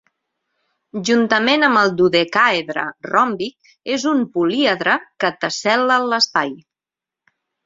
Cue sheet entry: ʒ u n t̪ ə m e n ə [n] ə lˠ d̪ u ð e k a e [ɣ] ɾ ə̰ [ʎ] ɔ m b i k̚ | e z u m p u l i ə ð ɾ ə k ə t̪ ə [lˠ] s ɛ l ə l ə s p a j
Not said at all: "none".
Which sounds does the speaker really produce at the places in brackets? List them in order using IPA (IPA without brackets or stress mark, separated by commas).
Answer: m, ð, r, none